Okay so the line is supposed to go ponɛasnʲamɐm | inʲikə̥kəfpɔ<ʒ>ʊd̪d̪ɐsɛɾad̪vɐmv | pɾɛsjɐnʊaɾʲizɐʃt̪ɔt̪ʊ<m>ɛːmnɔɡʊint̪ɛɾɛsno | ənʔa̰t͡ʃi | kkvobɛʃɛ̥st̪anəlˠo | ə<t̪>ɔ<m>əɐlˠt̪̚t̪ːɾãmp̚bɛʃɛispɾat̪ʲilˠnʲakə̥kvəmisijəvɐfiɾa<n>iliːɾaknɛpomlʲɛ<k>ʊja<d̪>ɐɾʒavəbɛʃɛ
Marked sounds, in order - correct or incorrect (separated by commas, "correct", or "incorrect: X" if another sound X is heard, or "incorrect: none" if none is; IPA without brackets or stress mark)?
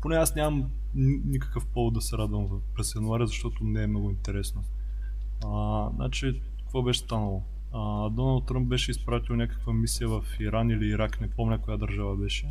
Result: incorrect: v, incorrect: n, incorrect: d̪, incorrect: n, correct, correct, correct